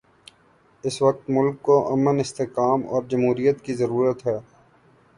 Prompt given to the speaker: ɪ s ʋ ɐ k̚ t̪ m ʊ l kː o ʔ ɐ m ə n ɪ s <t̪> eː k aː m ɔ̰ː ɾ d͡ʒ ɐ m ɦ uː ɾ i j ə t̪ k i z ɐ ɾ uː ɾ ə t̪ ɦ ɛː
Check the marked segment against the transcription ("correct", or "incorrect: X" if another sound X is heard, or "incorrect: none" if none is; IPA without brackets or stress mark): correct